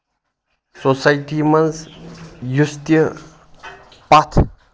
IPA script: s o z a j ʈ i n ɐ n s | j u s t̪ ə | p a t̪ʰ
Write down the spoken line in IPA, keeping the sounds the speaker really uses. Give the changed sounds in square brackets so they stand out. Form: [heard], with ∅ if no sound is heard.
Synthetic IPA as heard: s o [s] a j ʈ i [m] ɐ n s | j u s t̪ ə | p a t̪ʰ

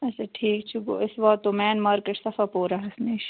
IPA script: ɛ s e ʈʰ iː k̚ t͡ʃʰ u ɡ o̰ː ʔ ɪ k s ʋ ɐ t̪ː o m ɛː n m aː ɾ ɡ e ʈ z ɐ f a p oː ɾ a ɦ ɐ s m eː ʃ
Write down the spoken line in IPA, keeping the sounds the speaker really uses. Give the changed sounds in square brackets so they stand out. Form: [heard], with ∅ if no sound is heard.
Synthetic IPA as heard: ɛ s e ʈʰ iː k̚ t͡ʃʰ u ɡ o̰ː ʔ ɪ [∅] s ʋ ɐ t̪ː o m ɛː n m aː ɾ [k] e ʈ [s] ɐ f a p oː ɾ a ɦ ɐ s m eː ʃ

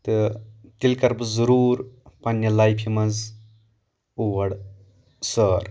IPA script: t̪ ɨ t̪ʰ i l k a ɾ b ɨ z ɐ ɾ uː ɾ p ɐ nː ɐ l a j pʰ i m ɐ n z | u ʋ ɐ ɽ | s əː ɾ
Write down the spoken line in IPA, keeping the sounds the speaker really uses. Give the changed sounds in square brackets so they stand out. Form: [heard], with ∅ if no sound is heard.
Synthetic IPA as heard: t̪ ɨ [t̪] i l k [ɐ] ɾ b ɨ z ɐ ɾ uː ɾ p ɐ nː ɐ l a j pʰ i m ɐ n z | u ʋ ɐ ɽ | s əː ɾ

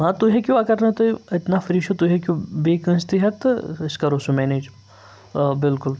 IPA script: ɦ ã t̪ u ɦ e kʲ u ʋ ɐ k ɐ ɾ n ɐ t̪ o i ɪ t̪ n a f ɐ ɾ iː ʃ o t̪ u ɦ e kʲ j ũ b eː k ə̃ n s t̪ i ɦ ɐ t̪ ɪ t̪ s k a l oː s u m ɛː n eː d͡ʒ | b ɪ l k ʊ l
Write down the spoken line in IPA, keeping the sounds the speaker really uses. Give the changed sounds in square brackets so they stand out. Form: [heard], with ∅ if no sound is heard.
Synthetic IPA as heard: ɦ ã t̪ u ɦ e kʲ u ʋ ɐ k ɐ ɾ n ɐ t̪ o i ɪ t̪ n a f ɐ ɾ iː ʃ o t̪ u ɦ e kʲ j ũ b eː k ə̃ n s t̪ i ɦ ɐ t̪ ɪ [∅] s k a [ɾ] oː s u m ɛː n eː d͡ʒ | b ɪ l k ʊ l

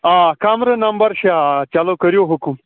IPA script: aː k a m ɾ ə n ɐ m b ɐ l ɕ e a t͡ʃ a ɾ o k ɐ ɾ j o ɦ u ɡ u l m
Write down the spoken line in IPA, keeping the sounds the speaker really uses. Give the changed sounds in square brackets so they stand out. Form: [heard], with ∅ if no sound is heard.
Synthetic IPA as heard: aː k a m ɾ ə n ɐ m b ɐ [ɾ] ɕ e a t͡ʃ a [l] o k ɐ ɾ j o ɦ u [k] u [∅] m

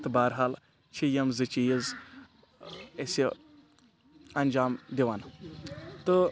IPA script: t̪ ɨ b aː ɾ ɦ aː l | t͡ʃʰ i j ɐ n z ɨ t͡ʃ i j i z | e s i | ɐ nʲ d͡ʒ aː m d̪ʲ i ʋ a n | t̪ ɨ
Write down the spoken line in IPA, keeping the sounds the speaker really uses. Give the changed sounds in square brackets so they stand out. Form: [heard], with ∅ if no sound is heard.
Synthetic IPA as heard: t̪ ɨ b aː ɾ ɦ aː l | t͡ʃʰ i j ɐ [m] z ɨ t͡ʃ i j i z | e s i | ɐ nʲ d͡ʒ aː m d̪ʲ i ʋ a n | t̪ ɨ

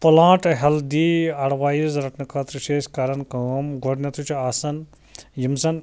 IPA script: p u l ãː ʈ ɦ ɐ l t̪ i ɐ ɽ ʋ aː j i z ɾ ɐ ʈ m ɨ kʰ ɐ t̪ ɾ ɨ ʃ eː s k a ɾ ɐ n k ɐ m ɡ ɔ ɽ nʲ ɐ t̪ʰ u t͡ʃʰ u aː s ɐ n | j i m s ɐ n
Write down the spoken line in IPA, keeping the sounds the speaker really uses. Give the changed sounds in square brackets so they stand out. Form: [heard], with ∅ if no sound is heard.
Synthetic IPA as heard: p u l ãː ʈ ɦ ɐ l [d̪] i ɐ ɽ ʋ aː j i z ɾ ɐ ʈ [n] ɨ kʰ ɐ t̪ ɾ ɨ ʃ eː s k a ɾ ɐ n k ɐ m ɡ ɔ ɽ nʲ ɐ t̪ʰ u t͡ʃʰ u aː s ɐ n | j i m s ɐ n

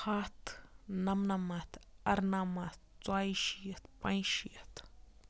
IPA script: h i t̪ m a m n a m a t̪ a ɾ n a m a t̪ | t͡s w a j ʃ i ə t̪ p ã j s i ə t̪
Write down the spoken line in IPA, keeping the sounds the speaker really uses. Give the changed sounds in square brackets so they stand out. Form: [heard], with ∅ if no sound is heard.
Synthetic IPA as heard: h [a] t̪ [n] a m n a m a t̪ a ɾ n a m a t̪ | t͡s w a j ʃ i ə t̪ p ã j [ʃ] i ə t̪

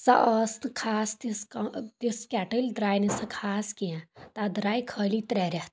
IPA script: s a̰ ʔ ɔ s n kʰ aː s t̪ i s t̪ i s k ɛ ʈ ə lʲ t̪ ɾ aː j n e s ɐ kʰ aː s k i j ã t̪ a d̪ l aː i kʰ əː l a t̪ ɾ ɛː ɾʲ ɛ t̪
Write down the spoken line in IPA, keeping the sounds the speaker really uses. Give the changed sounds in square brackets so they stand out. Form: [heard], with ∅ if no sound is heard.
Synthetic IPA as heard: s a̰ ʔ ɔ s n kʰ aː s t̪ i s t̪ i s k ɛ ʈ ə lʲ [d̪] ɾ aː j n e s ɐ kʰ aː s k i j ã t̪ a d̪ [ɾ] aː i kʰ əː l [i] t̪ ɾ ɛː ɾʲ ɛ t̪

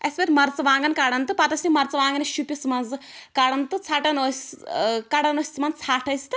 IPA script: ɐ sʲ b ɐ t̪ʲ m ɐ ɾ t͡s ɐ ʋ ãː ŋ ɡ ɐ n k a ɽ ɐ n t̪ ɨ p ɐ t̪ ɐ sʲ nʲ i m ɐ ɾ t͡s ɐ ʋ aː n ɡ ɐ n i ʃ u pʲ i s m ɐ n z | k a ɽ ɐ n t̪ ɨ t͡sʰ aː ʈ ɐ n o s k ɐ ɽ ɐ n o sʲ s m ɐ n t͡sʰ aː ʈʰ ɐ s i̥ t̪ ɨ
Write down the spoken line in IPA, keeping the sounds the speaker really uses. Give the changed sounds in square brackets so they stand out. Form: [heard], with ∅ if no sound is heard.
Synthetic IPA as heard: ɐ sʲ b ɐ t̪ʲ m ɐ ɾ t͡s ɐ ʋ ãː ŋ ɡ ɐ n k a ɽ ɐ n t̪ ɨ p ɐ t̪ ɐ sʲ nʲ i m ɐ ɾ t͡s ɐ ʋ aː [ŋ] ɡ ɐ n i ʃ u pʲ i s m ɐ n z | k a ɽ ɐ n t̪ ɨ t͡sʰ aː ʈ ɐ n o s k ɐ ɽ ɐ n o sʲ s m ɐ n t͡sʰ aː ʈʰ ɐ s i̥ t̪ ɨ

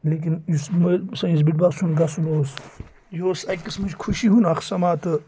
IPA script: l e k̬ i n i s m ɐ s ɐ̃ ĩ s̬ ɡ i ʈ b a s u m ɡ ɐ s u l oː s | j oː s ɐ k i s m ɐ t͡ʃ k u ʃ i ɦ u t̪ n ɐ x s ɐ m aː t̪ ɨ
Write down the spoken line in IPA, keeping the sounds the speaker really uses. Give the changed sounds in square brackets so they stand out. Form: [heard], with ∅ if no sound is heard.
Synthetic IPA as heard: l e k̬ i n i s m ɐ s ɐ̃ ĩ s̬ [b] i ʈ b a s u [n] ɡ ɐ s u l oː s | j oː s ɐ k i s m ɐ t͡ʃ [kʰ] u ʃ i ɦ u [∅] n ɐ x s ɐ m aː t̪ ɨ

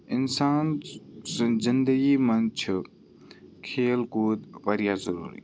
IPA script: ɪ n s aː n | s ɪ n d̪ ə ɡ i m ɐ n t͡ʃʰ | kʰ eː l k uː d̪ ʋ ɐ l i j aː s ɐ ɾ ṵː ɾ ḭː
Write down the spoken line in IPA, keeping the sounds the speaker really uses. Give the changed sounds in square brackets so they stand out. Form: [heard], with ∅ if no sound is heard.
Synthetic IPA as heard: ɪ n s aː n | [z] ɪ n d̪ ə ɡ i m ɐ n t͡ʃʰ | kʰ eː l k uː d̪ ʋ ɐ [ɾ] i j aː [z] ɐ ɾ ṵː ɾ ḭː

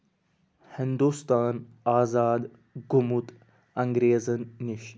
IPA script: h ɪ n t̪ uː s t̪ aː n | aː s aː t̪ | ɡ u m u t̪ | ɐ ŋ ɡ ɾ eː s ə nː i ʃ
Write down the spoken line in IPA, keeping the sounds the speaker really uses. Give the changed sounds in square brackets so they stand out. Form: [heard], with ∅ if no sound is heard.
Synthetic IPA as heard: h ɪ n [d̪] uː s t̪ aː n | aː [z] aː [d̪] | ɡ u m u t̪ | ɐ ŋ ɡ ɾ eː [z] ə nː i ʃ

